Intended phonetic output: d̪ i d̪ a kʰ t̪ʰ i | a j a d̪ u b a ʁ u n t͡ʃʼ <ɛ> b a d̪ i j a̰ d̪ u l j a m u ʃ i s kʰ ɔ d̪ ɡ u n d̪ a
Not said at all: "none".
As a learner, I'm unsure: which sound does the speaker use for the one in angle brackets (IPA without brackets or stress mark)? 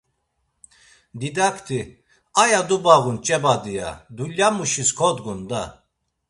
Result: ɛ